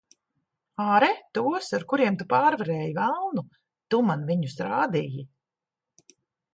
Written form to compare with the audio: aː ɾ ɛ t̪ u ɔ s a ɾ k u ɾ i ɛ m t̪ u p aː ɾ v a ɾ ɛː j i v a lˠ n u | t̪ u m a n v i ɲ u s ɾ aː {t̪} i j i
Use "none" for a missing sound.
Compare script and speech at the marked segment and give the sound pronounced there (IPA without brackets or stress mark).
d̪